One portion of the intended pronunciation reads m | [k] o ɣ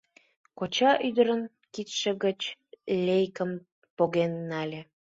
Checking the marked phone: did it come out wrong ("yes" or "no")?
yes